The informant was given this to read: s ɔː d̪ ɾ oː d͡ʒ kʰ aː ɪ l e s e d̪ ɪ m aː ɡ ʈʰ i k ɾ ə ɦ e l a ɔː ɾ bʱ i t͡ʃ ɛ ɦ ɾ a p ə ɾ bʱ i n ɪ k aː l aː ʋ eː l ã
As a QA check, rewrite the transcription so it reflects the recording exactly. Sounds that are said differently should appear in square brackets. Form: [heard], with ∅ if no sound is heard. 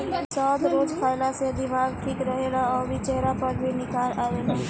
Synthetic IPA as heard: s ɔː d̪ ɾ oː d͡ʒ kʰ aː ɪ l [a] s e d̪ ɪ m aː ɡ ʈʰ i k ɾ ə ɦ e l a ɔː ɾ bʱ i t͡ʃ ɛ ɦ ɾ a p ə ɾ bʱ i n ɪ k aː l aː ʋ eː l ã